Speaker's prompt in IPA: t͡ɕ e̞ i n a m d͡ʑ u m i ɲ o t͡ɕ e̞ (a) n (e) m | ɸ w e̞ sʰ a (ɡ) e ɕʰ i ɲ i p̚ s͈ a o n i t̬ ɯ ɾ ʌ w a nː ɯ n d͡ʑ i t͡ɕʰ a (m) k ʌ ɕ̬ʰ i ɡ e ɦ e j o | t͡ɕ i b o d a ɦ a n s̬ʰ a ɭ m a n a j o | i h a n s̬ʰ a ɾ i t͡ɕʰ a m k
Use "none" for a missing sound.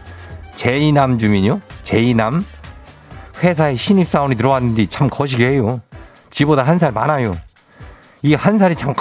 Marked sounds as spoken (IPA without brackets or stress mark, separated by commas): i, a, none, m